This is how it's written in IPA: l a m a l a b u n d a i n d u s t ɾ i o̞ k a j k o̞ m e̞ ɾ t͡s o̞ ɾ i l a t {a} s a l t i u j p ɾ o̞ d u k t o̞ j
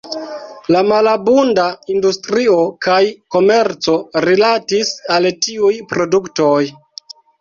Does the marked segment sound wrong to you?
yes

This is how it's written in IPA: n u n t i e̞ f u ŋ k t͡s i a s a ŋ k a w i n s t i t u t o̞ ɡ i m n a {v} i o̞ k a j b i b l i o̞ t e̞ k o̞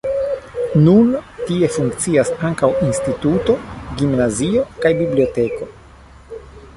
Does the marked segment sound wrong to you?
yes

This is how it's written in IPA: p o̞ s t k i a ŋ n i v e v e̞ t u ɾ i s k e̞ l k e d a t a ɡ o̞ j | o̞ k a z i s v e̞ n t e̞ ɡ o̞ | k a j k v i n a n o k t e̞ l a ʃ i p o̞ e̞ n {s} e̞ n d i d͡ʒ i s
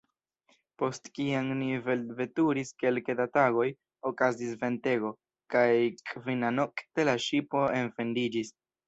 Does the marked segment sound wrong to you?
yes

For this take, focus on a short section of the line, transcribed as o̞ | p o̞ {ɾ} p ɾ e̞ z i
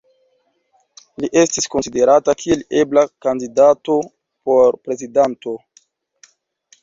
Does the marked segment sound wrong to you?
no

